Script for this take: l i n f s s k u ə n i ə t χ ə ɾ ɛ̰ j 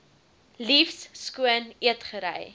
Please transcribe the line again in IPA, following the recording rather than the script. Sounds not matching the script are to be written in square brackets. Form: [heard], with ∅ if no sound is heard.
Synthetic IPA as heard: l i [∅] f s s k u ə n i ə t χ ə ɾ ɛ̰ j